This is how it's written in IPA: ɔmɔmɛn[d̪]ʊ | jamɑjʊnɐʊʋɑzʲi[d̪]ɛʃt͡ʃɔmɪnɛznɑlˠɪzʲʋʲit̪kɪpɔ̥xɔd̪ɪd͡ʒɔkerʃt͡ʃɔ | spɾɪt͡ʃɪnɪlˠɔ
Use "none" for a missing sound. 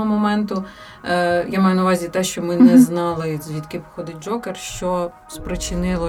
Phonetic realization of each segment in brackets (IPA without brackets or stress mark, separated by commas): t̪, t̪